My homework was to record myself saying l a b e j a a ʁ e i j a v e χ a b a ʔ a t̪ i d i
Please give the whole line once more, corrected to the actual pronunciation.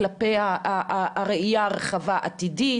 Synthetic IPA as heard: l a p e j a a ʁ e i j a ʁ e χ a v a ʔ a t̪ i d i